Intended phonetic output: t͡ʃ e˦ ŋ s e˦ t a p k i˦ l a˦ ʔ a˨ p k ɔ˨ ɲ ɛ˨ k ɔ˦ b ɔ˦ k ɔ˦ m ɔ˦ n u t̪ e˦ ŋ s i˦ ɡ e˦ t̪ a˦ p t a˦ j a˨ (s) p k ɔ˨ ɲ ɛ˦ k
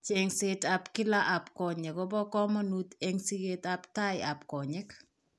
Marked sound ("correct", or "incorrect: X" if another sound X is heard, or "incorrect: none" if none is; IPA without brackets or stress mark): incorrect: none